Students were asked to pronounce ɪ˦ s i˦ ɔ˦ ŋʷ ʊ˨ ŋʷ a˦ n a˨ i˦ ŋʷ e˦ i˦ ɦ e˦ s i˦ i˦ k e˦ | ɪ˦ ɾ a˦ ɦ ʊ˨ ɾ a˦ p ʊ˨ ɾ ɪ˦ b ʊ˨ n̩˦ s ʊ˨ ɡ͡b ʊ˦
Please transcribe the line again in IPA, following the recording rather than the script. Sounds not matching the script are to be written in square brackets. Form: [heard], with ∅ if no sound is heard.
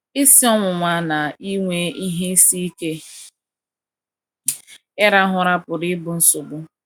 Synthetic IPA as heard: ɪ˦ s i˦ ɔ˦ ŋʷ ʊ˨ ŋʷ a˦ n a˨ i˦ ŋʷ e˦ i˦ ɦ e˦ s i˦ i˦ k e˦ | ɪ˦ ɾ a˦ ɦ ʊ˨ ɾ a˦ p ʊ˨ ɾ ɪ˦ b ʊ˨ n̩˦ s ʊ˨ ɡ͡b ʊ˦